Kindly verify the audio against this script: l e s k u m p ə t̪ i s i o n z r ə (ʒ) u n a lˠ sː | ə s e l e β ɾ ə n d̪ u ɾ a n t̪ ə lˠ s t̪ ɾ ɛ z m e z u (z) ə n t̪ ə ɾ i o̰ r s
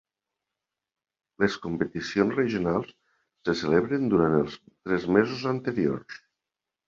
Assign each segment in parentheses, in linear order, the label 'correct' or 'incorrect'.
correct, correct

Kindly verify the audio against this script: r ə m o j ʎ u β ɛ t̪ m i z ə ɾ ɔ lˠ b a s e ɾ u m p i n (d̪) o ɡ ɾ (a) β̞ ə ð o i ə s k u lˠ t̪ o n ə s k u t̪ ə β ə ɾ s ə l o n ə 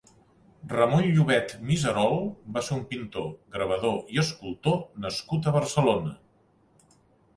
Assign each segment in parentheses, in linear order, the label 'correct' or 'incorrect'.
incorrect, incorrect

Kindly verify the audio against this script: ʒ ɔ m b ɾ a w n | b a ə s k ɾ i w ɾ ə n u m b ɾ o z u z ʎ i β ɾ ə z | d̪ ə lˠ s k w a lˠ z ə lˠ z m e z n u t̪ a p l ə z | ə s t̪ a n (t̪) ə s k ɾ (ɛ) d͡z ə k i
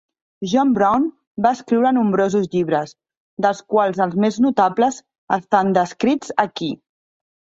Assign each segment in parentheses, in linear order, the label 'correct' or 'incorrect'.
incorrect, incorrect

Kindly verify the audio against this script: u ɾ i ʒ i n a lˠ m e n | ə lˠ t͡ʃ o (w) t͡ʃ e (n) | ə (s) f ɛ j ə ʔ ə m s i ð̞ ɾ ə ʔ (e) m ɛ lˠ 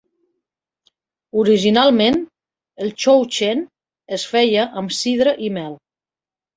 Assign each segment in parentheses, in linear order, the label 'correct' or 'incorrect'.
correct, correct, correct, incorrect

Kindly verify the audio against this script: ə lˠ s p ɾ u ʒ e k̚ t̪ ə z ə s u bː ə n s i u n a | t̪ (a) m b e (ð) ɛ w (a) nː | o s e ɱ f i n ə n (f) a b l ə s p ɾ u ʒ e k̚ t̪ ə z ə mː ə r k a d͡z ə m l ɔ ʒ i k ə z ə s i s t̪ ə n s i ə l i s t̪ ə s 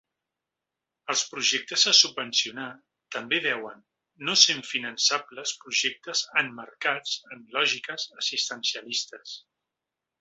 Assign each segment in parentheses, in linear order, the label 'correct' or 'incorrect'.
incorrect, correct, incorrect, incorrect

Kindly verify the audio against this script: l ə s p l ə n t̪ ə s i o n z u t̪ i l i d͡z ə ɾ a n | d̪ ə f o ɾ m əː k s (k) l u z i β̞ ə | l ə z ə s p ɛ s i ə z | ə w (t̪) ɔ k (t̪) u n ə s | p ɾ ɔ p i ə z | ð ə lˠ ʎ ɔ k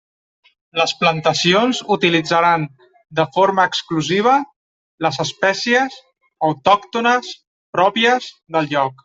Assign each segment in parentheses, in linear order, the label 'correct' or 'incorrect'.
correct, correct, correct

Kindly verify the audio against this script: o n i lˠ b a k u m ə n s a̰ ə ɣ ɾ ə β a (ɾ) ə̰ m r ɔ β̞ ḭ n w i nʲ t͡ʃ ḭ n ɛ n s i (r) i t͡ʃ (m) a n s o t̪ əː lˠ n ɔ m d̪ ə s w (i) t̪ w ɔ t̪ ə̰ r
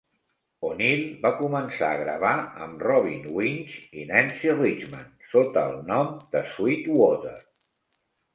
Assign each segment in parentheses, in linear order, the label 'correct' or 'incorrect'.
incorrect, correct, correct, correct

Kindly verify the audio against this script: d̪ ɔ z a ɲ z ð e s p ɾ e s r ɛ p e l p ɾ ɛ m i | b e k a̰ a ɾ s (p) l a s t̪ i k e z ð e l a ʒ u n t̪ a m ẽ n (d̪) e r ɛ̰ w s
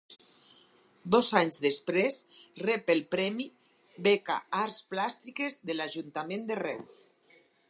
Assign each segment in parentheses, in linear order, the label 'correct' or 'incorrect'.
correct, correct

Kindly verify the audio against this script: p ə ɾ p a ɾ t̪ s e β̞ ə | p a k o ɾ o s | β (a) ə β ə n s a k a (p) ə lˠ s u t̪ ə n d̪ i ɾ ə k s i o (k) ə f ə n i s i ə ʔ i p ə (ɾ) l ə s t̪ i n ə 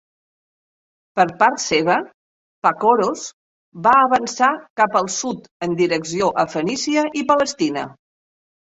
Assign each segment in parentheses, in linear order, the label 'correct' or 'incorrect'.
correct, correct, incorrect, incorrect

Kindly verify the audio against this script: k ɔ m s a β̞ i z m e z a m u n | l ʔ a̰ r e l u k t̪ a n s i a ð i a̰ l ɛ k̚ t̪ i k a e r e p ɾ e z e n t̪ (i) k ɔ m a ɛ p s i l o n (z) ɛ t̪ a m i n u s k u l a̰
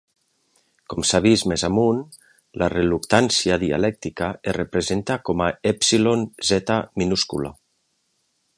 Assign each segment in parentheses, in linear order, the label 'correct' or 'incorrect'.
incorrect, correct

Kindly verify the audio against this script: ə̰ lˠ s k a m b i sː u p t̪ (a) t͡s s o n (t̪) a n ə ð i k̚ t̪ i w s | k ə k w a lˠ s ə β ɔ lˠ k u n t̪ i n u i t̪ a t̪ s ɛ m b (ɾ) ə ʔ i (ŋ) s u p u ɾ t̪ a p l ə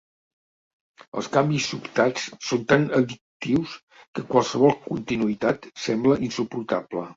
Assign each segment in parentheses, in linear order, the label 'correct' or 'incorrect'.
correct, correct, incorrect, incorrect

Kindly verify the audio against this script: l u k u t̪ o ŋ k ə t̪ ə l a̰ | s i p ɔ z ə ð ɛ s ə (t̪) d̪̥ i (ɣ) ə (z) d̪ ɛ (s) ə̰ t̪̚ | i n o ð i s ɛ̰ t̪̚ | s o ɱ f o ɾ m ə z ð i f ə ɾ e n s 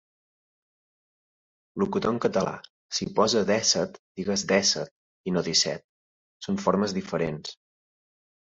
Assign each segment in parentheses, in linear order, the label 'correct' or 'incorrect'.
correct, correct, correct, correct

